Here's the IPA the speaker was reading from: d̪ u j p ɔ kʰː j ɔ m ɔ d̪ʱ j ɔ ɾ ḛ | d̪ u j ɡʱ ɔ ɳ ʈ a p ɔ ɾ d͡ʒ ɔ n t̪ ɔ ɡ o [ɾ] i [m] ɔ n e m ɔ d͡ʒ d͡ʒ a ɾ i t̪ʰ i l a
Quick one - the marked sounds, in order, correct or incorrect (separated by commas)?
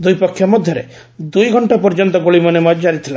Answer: incorrect, correct